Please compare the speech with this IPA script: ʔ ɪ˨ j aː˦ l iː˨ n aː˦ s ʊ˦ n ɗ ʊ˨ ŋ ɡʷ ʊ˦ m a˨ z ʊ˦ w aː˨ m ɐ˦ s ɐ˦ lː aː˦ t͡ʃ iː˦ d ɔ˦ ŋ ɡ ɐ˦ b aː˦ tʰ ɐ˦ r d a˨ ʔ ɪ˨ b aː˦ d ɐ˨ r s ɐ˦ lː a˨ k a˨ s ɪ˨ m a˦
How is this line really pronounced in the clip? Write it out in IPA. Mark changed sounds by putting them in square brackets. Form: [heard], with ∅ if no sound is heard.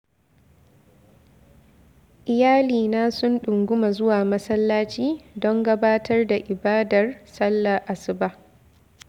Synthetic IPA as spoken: ʔ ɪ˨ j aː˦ l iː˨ n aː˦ s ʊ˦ n ɗ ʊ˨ ŋ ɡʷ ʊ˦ m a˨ z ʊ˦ w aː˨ m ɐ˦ s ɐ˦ lː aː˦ t͡ʃ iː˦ d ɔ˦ ŋ ɡ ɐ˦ b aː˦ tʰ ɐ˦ r d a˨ ʔ ɪ˨ b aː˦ d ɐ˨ r s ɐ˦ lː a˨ [ʔ] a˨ s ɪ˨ [b] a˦